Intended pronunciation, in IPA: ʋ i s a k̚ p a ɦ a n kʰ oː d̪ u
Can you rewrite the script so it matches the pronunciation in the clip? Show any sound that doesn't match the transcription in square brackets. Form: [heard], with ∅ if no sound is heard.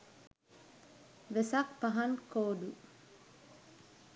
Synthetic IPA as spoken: ʋ [e] s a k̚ p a ɦ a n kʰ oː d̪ u

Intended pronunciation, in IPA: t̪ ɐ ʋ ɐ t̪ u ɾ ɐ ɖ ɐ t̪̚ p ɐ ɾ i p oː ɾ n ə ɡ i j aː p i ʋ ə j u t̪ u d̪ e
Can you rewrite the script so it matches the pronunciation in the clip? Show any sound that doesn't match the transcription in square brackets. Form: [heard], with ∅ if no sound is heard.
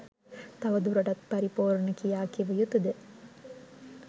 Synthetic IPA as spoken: t̪ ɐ ʋ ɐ [d̪] u ɾ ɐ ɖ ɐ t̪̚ p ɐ ɾ i p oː ɾ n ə [k] i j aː [k] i ʋ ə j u t̪ u d̪ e

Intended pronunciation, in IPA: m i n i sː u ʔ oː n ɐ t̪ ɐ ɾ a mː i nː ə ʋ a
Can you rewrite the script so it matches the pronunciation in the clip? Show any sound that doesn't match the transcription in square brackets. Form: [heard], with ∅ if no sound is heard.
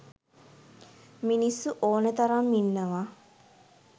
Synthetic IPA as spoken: m i n i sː u ʔ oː n [ə] t̪ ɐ ɾ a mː i nː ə ʋ a

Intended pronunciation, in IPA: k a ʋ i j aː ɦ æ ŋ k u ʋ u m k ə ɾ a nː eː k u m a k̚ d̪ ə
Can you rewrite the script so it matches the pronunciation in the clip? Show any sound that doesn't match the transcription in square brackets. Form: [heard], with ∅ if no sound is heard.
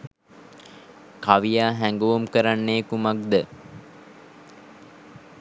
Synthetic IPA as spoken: k a ʋ i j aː ɦ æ ŋ [ɡ] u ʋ u m k ə ɾ a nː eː k u m a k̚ d̪ ə

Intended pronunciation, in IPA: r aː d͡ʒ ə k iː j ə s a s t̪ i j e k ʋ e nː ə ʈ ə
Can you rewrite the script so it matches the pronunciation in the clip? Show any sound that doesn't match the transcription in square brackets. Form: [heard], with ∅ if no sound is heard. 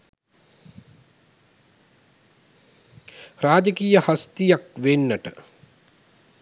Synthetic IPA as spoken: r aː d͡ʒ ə k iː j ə [h] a s t̪ i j [a] k ʋ e nː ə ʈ ə

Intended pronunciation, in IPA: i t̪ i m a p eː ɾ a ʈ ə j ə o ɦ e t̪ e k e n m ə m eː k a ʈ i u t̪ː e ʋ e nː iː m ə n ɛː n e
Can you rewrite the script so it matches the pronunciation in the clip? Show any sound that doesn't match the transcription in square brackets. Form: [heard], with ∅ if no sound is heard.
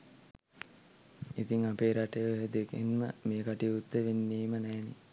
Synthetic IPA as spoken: i t̪ i [ŋ] a p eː ɾ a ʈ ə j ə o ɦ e [d̪] e k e n m ə m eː k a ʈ i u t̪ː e ʋ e nː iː m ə n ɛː n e

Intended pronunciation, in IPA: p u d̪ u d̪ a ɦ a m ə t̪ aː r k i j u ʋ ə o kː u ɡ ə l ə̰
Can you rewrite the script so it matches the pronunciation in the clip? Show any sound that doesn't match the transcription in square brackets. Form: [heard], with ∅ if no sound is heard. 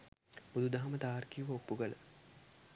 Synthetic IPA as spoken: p u d̪ u d̪ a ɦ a m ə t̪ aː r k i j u ʋ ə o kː u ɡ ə l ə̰

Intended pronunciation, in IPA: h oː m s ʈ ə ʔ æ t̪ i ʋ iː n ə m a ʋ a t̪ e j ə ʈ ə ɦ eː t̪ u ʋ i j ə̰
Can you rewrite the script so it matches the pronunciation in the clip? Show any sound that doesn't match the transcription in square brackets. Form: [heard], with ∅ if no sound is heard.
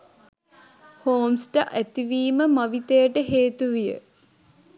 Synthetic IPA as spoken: h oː m s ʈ ə ʔ æ t̪ i ʋ iː [m] ə m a ʋ [i] t̪ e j ə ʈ ə ɦ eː t̪ u ʋ i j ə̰

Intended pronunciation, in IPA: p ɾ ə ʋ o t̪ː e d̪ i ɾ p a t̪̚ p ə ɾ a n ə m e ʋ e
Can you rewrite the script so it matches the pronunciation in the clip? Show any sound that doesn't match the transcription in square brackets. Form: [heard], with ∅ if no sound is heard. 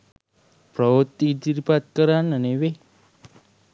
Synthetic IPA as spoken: p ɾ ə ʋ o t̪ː [i] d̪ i ɾ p a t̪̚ [k] ə ɾ a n ə [n] e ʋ e

